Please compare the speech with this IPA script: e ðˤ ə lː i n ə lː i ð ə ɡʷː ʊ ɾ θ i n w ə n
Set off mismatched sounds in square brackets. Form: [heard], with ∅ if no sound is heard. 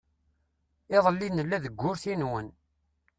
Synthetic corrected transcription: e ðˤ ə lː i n ə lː [æ] ð ə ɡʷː ʊ ɾ θ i n w ə n

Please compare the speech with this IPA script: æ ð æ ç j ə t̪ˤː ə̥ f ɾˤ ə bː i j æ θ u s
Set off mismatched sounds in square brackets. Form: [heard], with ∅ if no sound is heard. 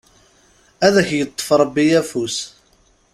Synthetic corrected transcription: æ ð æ ç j ə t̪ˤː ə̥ f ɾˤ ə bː i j æ [f] u s

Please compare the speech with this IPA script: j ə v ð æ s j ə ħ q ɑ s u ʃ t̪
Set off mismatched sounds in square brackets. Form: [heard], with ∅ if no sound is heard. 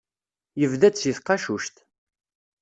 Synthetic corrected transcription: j ə v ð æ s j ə [θ] q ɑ [ʃ] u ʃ t̪

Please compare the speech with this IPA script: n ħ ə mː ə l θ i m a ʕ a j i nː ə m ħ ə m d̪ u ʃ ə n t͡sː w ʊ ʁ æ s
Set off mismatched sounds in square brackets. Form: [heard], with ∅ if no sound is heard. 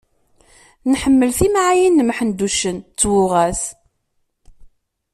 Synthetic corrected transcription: n ħ ə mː ə l θ i m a ʕ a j i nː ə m ħ ə [n] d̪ u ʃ ə n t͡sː w ʊ ʁ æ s

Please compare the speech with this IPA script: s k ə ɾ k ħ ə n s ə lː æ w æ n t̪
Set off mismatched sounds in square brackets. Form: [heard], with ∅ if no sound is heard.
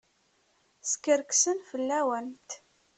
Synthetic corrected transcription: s k ə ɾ k [s] ə n [f] ə lː æ w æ n t̪

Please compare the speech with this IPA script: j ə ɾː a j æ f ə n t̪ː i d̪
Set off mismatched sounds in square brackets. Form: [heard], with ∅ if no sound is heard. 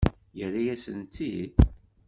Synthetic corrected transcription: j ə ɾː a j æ [s] ə n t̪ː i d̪

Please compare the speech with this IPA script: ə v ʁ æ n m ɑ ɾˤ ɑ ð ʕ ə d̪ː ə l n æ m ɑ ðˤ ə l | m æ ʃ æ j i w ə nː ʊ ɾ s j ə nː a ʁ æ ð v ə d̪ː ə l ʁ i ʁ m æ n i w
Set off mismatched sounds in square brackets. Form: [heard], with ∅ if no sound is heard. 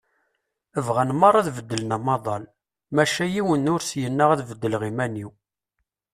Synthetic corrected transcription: ə v ʁ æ n m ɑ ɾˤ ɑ ð [v] ə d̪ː ə l n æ m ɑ ðˤ [ɑ] l | m æ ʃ æ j i w ə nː ʊ ɾ s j ə nː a ʁ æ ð v ə d̪ː ə l ʁ i [∅] m æ n i w

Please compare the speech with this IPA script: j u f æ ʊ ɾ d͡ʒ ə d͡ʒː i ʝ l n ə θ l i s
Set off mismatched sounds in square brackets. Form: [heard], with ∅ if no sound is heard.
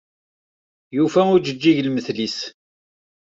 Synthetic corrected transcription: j u f æ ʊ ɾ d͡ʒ ə d͡ʒː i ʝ l [m] ə θ l i s

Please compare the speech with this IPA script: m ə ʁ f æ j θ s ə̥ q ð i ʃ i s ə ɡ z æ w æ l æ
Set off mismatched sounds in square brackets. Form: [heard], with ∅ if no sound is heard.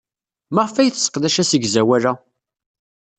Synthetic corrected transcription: m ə ʁ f æ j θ s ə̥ q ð [æ] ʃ [æ] s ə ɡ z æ w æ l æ

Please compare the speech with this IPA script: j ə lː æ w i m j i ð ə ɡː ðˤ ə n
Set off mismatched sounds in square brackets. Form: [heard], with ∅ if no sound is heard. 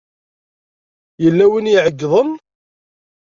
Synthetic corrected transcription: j ə lː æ w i [n] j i [ʕ] ə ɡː ðˤ ə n

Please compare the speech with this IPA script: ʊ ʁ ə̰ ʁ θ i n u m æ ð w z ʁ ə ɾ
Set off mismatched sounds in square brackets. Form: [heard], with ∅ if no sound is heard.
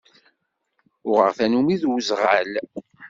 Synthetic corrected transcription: ʊ ʁ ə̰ ʁ θ [æ] n u m [i] ð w z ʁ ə [l]

